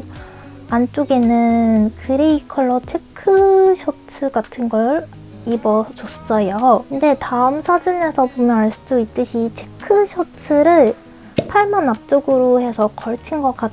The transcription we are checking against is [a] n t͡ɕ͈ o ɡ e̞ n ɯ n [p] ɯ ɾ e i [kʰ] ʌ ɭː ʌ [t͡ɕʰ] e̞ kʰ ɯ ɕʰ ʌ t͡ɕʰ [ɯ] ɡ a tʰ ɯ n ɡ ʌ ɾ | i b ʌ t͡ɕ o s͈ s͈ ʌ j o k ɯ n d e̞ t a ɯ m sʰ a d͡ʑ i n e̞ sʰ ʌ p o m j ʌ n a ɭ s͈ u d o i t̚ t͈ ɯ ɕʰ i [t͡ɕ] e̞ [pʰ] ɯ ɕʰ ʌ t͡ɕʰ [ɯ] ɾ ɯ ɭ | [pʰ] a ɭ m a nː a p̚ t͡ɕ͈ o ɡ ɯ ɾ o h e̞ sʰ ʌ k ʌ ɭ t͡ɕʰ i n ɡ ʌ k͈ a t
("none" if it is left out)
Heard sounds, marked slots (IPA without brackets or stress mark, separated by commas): a, k, kʰ, t͡ɕʰ, ɯ, t͡ɕʰ, kʰ, ɯ, pʰ